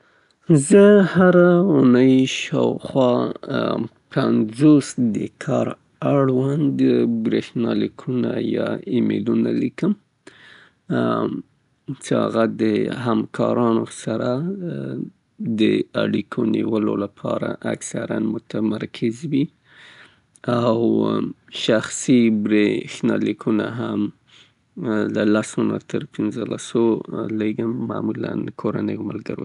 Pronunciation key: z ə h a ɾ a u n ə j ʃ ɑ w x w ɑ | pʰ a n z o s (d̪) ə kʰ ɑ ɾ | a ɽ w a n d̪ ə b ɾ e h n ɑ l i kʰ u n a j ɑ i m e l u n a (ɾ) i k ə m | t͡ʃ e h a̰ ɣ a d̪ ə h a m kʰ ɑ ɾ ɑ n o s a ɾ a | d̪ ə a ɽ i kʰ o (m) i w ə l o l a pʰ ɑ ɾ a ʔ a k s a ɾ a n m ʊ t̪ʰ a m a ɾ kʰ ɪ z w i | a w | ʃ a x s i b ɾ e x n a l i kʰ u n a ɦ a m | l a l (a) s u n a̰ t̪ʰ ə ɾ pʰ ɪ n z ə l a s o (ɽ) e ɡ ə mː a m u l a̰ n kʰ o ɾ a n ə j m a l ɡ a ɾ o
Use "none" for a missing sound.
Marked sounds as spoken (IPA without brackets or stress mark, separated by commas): d̪, l, n, a, l